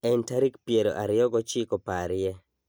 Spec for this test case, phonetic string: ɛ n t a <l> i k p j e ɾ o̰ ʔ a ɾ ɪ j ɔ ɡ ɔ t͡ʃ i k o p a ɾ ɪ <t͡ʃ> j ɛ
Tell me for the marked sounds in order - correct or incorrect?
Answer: incorrect, incorrect

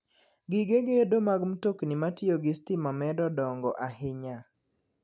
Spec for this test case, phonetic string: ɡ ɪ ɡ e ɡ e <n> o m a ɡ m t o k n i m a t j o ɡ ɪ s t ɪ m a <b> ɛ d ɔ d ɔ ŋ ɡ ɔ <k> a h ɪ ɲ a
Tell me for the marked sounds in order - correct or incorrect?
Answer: incorrect, incorrect, incorrect

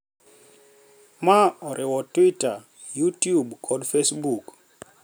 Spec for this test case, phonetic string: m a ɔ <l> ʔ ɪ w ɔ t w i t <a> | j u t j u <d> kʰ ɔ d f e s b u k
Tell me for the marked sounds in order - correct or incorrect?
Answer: incorrect, correct, incorrect

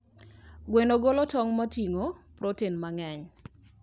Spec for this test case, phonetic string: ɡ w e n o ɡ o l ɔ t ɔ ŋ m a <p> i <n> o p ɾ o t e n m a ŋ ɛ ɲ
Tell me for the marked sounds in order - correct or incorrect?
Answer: incorrect, incorrect

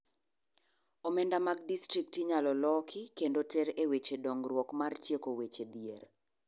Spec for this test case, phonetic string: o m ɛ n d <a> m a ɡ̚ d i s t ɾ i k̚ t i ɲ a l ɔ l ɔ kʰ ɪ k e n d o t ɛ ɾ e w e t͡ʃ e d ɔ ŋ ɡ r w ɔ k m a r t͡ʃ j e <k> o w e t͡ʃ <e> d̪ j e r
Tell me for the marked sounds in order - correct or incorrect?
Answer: correct, correct, correct

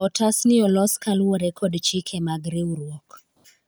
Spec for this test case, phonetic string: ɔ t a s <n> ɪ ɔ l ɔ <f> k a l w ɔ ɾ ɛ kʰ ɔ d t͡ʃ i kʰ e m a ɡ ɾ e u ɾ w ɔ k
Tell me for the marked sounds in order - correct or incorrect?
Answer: correct, incorrect

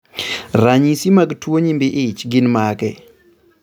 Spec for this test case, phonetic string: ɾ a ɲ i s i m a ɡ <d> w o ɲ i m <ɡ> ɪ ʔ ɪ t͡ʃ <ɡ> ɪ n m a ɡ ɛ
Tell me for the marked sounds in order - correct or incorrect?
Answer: incorrect, incorrect, correct

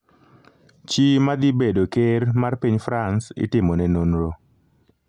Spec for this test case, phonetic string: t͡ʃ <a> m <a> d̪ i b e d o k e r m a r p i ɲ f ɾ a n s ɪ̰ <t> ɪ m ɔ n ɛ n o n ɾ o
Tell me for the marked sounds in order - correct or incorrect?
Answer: incorrect, correct, correct

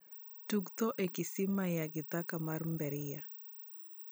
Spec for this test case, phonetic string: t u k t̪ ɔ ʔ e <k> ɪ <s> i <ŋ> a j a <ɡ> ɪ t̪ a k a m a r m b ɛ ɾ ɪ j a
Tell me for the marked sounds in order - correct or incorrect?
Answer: correct, correct, incorrect, correct

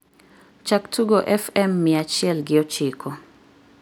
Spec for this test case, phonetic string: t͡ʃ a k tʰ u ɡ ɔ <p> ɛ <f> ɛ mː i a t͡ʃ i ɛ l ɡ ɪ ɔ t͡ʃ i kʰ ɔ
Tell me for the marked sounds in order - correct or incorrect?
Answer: incorrect, correct

